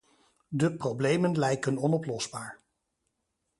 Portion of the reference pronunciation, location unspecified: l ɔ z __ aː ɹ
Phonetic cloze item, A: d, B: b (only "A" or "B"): B